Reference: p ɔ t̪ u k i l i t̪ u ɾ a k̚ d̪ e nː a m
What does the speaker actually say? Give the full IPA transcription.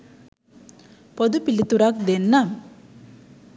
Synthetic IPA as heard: p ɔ d̪ u p i l i t̪ u ɾ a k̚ d̪ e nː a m

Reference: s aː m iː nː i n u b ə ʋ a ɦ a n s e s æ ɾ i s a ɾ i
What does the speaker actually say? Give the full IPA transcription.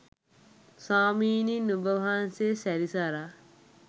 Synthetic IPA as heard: s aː m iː n i n u b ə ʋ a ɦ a n s e s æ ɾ i s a ɾ a

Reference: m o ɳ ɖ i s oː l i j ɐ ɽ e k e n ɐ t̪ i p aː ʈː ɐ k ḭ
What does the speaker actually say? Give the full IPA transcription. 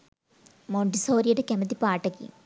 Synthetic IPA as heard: m o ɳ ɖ i s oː ɾ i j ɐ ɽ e k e m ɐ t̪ i p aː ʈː ɐ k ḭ

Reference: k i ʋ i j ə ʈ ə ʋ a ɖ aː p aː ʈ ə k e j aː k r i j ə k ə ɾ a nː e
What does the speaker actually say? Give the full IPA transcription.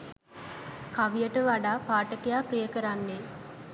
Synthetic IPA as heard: k a ʋ i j ə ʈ ə ʋ a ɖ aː p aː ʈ ə k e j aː p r i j ə k ə ɾ a nː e

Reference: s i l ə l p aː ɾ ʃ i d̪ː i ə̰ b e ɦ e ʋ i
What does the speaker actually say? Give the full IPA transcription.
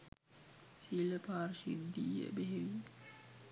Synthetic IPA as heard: s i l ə p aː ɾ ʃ i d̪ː i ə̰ b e ɦ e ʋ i

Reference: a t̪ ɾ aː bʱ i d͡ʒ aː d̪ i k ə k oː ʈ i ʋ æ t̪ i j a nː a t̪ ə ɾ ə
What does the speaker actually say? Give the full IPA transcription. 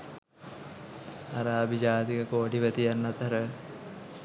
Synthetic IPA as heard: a ɾ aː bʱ i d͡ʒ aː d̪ i k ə k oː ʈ i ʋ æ t̪ i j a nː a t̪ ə ɾ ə

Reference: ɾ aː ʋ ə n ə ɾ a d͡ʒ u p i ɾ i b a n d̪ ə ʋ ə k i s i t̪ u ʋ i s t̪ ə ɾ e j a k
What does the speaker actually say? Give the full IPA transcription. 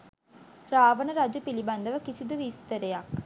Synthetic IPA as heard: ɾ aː ʋ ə n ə ɾ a d͡ʒ u p i l i b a n d̪ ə ʋ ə k i s i d̪ u ʋ i s t̪ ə ɾ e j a k

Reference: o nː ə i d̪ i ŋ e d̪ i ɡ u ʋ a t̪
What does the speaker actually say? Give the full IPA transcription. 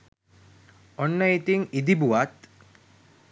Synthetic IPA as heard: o nː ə i t̪ i ŋ i d̪ i b u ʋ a t̪

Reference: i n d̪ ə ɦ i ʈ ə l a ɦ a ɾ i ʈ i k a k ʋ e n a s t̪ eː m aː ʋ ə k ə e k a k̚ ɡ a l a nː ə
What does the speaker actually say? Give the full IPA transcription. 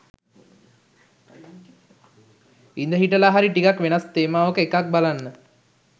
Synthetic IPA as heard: i n d̪ ə ɦ i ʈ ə l a ɦ a ɾ i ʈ i k a k ʋ e n a s t̪ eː m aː ʋ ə k ə e k a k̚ b a l a nː ə

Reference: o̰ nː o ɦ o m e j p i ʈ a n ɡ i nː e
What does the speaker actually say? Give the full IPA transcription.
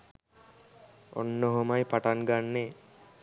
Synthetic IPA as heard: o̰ nː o ɦ o m a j p a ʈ a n ɡ a nː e

